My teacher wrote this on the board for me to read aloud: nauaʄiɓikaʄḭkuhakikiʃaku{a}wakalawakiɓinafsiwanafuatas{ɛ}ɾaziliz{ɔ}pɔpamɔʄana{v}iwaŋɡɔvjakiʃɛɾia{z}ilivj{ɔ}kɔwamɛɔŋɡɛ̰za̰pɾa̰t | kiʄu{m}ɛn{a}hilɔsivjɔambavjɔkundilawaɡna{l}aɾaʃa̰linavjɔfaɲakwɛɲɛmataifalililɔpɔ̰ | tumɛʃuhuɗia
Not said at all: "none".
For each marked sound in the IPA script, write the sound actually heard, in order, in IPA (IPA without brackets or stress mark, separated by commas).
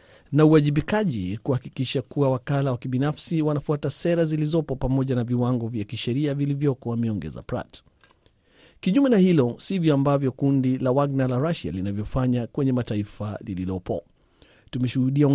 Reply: a, ɛ, ɔ, v, v, ɔ, m, a, l